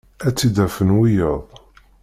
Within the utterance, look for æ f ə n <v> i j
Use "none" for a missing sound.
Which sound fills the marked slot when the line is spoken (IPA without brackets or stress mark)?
w